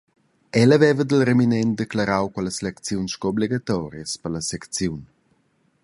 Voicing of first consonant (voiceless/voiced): voiced